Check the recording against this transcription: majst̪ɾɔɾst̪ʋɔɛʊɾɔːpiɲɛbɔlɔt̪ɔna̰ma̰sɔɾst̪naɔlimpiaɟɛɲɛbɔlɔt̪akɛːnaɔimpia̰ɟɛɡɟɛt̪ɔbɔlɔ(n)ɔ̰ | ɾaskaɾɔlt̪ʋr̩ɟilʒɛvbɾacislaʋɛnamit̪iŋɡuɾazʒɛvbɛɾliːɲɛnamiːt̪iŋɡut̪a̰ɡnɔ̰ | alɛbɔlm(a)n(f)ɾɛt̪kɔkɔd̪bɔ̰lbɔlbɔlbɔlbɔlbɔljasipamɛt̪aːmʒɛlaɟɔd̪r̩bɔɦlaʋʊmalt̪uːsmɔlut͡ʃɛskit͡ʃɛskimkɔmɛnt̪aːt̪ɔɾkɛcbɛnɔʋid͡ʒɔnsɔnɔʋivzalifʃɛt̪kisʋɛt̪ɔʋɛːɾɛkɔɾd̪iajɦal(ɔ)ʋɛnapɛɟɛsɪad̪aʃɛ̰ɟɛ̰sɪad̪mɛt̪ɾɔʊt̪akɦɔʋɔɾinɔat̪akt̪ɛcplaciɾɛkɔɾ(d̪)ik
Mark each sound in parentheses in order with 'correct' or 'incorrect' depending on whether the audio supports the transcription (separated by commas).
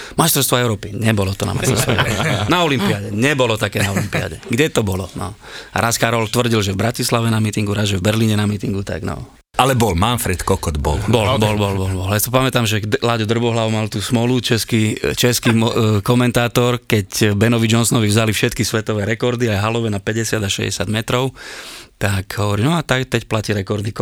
correct, correct, correct, correct, correct